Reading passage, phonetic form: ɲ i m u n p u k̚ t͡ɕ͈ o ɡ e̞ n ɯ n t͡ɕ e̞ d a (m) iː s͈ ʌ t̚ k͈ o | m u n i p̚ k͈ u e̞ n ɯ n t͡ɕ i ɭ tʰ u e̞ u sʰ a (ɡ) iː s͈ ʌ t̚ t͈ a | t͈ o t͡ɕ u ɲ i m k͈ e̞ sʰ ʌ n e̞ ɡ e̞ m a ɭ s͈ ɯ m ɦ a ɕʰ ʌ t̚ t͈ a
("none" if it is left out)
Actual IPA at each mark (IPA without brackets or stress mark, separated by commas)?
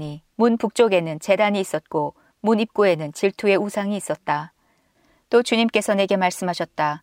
ɲ, ŋ